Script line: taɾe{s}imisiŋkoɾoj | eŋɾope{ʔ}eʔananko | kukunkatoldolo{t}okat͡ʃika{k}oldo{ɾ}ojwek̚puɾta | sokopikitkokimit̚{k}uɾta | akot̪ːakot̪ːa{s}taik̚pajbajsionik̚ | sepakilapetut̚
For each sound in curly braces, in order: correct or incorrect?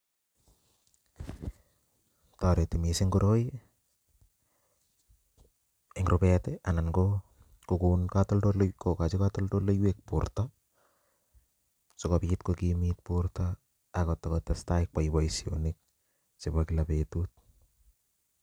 incorrect: t, incorrect: t, incorrect: k, incorrect: t, incorrect: l, incorrect: p, correct

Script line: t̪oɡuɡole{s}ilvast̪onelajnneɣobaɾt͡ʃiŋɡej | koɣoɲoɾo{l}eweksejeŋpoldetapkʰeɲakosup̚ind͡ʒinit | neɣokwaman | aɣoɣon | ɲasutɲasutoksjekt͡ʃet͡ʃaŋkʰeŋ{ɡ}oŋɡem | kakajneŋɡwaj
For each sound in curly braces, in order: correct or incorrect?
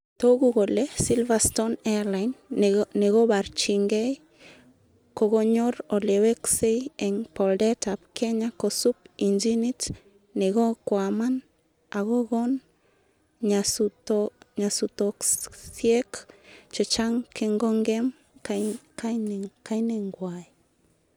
correct, correct, correct

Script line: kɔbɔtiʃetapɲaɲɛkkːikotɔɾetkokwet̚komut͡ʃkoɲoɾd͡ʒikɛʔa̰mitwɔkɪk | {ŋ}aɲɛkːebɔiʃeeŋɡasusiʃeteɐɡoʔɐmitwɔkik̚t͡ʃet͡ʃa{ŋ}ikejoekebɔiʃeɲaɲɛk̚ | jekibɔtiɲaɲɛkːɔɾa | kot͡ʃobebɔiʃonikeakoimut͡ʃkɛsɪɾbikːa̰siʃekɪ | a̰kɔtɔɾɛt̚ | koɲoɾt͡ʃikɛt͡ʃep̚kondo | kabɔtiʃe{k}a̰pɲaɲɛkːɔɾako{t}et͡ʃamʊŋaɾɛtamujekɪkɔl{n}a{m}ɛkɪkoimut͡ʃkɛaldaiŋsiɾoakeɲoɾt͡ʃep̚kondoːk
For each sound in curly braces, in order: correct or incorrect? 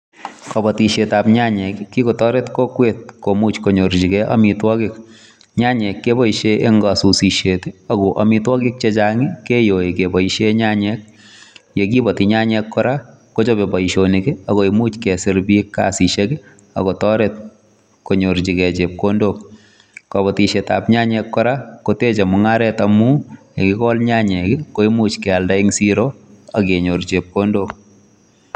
incorrect: ɲ, correct, incorrect: t, correct, incorrect: ɲ, incorrect: ɲ

